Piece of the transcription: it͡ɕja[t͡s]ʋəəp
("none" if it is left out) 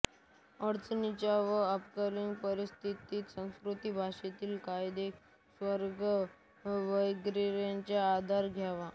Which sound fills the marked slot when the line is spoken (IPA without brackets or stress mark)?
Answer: none